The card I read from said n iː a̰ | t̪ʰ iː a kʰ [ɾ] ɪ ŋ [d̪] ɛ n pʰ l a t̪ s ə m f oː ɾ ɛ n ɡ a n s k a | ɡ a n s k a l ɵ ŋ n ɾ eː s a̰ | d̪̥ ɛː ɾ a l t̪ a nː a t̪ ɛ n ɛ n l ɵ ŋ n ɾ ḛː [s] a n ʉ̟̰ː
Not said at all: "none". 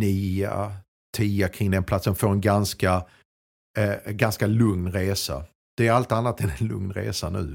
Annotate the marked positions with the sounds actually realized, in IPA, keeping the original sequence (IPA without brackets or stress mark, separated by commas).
ɾ, d̪, s